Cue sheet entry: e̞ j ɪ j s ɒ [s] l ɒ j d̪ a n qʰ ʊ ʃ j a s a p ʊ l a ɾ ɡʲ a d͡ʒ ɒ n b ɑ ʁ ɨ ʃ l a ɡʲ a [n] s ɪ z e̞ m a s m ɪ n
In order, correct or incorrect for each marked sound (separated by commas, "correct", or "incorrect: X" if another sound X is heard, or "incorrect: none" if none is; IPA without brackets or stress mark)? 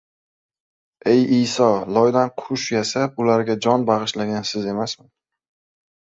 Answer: incorrect: none, correct